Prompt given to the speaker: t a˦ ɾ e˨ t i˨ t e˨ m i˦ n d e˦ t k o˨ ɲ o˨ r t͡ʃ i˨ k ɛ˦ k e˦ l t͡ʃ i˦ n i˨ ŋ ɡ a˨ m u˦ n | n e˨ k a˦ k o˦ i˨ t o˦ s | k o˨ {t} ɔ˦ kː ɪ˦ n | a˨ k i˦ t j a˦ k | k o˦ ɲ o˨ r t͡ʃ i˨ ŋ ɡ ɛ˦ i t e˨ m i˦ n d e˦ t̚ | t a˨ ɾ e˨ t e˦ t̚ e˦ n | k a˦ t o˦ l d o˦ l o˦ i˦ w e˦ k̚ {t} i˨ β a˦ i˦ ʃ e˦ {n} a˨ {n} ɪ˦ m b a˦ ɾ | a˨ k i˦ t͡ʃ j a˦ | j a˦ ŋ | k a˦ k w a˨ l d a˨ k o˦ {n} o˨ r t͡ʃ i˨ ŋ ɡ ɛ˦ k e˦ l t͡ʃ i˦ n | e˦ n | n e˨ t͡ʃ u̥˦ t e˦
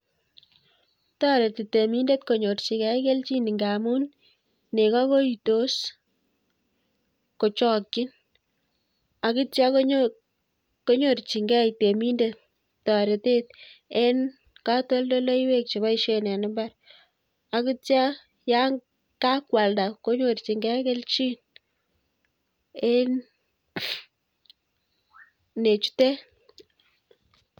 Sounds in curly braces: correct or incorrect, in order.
incorrect: t͡ʃ, incorrect: t͡ʃ, correct, correct, incorrect: ɲ

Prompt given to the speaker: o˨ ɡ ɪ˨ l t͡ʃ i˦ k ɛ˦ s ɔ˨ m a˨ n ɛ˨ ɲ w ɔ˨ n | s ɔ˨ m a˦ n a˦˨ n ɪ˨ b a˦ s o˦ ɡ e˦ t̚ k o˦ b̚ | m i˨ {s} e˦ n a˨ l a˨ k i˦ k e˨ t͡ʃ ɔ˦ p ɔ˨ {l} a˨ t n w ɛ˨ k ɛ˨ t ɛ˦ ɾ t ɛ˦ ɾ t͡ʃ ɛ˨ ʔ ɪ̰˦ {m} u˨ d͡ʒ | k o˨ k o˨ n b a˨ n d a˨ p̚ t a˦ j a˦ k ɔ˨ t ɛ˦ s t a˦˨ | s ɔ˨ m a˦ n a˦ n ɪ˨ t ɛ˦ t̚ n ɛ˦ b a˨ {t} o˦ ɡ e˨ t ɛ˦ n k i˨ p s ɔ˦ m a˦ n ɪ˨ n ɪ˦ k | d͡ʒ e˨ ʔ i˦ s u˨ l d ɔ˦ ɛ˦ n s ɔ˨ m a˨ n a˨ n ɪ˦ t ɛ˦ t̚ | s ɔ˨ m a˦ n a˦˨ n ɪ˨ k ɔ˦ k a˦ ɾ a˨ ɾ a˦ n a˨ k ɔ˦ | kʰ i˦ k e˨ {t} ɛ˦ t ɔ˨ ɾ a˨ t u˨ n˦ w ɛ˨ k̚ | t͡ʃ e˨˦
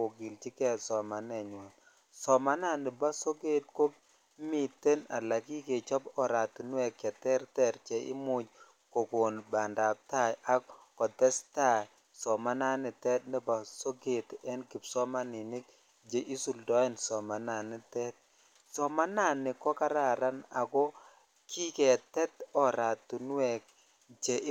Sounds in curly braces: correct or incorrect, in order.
incorrect: t, incorrect: ɾ, correct, incorrect: s, correct

